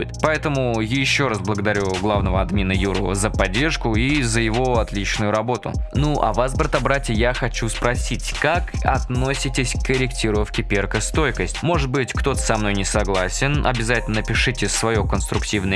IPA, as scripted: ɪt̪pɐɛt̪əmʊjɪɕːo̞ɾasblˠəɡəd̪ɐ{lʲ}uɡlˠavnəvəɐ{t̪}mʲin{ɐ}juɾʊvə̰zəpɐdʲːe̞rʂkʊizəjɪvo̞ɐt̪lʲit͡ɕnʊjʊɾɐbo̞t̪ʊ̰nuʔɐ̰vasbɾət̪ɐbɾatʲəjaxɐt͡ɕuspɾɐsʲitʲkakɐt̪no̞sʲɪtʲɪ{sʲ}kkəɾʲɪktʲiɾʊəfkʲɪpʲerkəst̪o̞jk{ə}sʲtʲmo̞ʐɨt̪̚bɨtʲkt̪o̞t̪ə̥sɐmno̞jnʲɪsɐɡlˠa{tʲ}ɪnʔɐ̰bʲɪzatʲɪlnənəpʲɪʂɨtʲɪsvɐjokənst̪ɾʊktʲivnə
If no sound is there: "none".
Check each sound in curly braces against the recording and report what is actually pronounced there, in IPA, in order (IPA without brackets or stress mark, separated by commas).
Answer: ɾʲ, d̪, ə, sʲ, ə, sʲ